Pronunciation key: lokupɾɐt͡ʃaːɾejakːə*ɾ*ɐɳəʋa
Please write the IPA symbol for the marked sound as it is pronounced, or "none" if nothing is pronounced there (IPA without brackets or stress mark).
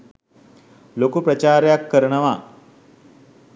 ɾ